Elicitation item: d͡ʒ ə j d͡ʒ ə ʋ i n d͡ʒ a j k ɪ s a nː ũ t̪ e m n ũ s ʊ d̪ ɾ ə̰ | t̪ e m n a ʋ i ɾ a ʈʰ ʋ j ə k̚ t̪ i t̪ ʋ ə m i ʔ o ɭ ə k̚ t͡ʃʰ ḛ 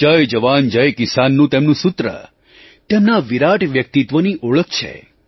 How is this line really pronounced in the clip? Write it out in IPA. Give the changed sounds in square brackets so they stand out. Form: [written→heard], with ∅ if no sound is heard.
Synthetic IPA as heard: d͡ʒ ə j d͡ʒ ə ʋ [i→a] n d͡ʒ [a→ə] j k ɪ s a nː ũ t̪ e m n ũ s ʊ [d̪→t̪] ɾ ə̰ | t̪ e m n a ʋ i ɾ a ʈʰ ʋ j ə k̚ t̪ i t̪ ʋ ə [m→n] i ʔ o ɭ ə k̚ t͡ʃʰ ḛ